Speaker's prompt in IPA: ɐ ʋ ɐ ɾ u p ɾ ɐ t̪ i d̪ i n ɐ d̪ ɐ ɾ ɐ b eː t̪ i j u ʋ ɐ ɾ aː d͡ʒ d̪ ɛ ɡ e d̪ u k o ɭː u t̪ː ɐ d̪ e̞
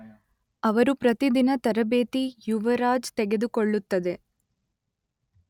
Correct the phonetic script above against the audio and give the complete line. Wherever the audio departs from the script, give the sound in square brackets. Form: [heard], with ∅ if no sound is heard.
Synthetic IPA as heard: ɐ ʋ ɐ ɾ u p ɾ ɐ t̪ i d̪ i n ɐ [t̪] ɐ ɾ ɐ b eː t̪ i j u ʋ ɐ ɾ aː d͡ʒ [t̪] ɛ ɡ e d̪ u k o ɭː u t̪ː ɐ d̪ e̞